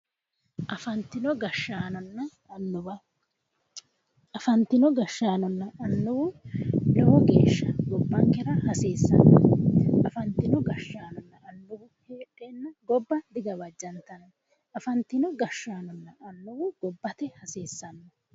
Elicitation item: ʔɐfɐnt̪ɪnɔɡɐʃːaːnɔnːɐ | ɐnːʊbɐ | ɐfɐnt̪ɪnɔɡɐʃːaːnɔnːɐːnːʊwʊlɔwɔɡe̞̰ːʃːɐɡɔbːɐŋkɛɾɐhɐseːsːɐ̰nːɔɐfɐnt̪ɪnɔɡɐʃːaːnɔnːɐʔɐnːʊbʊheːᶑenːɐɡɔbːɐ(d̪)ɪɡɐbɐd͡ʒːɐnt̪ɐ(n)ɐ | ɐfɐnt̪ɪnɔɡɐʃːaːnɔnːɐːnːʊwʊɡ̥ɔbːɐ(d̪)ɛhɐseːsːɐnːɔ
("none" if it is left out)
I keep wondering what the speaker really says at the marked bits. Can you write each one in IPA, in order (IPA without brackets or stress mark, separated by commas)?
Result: d̪, n, t̪